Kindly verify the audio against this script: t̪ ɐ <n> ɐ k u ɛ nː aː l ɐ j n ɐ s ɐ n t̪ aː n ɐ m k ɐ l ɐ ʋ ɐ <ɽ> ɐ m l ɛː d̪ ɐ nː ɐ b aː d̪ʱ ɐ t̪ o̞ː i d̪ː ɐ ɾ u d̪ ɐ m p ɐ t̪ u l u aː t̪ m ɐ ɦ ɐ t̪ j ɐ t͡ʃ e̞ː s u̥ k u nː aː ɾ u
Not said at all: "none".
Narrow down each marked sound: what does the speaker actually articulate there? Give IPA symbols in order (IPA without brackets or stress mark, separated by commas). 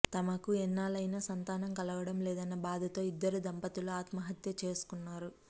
m, ɽ